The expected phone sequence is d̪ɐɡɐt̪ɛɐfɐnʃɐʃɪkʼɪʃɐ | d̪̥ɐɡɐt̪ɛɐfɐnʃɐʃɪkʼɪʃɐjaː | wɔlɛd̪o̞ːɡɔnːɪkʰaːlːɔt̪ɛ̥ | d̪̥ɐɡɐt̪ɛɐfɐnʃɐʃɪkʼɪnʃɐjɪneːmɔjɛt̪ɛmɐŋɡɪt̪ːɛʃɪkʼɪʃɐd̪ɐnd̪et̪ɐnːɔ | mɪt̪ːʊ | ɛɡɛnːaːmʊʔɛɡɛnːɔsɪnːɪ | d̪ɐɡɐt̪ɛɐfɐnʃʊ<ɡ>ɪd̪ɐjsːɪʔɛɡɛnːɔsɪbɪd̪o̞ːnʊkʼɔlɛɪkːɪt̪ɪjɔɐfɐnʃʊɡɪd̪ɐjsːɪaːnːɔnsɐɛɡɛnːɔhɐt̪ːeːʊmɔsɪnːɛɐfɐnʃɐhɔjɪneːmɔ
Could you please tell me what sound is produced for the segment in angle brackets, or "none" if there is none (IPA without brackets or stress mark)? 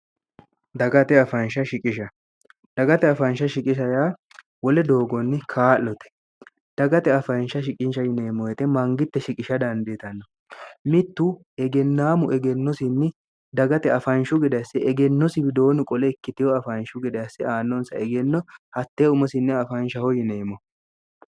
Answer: ɡ